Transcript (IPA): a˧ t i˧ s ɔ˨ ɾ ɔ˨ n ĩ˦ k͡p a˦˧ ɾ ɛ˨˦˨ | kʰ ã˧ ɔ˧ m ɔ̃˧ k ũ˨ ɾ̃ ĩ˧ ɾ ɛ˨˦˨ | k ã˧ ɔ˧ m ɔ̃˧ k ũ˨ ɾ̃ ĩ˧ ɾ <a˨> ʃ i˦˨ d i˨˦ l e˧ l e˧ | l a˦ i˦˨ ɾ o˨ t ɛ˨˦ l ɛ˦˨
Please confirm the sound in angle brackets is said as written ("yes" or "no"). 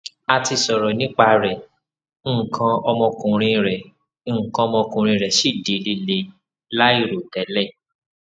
no